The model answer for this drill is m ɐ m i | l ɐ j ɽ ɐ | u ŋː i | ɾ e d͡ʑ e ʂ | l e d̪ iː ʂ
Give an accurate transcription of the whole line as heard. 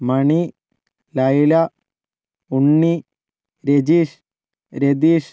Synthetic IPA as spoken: m ɐ ɳ i | l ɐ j l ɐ | u ɳː i | ɾ e d͡ʑ i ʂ | ɾ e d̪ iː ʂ